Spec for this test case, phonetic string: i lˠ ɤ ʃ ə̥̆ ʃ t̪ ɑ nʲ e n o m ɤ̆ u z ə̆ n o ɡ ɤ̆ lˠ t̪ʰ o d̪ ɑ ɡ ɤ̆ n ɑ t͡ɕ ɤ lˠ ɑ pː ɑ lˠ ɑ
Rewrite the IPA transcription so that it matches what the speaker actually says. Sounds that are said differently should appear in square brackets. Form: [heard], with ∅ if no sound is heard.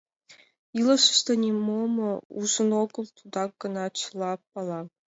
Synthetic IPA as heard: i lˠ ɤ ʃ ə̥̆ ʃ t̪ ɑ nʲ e [m] o m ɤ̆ u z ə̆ n o ɡ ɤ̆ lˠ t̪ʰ [u] d̪ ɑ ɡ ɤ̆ n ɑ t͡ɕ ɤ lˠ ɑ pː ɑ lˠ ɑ